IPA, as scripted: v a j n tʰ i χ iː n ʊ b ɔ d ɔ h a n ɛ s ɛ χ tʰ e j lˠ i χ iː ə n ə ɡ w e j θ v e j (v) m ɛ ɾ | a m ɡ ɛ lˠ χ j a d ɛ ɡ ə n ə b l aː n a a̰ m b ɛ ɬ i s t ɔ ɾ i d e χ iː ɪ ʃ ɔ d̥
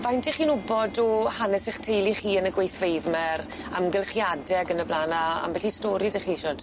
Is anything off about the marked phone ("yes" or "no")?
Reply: no